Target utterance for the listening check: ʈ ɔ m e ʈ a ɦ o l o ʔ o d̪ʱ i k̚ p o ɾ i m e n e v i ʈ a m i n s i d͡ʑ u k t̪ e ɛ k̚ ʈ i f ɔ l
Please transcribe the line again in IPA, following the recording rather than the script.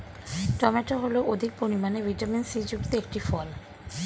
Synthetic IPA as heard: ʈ ɔ m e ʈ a ɦ o l o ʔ o d̪ʱ i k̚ p o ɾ i m a n e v i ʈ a m i n s i d͡ʑ u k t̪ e e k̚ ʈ i f ɔ l